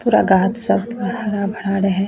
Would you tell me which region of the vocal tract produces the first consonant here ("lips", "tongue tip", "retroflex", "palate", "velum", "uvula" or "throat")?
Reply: lips